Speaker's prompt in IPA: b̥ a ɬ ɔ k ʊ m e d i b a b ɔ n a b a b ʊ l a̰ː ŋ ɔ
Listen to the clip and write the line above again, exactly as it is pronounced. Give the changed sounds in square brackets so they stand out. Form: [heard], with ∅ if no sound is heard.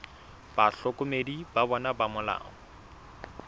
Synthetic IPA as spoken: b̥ a ɬ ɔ k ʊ m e d i b a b ɔ n a b a [m] ʊ l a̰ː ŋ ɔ